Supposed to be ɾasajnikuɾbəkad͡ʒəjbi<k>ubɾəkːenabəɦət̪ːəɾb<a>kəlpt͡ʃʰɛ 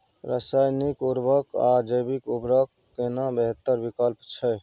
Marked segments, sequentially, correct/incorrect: correct, incorrect

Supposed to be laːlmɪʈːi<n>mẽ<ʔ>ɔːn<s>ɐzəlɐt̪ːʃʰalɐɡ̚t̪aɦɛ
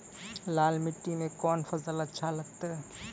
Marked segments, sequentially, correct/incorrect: incorrect, incorrect, incorrect

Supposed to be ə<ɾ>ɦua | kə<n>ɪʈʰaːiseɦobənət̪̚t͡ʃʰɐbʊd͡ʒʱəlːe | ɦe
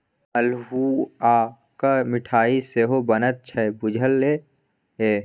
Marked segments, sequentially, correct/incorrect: incorrect, incorrect

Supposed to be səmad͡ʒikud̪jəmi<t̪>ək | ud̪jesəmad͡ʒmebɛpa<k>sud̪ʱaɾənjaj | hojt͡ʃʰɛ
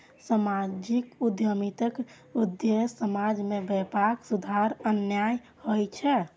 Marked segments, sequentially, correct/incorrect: correct, correct

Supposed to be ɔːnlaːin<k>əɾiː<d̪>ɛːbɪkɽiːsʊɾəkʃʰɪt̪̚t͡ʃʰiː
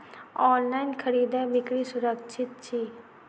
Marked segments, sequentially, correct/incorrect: incorrect, correct

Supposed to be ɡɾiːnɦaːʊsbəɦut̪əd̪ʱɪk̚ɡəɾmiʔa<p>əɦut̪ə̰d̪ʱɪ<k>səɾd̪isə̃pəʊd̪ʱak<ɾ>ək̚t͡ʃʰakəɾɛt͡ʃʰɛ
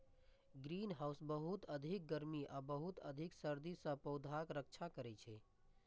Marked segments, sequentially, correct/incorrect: incorrect, correct, correct

